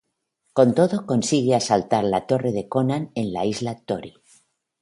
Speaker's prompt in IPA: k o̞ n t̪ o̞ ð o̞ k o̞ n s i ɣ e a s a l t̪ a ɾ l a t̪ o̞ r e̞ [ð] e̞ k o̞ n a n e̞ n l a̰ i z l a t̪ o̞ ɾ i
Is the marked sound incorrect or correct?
correct